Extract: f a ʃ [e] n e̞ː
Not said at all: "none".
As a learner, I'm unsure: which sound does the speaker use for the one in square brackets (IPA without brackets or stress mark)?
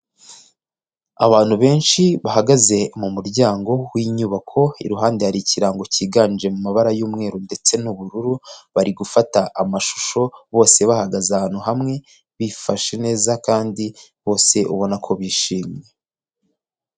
e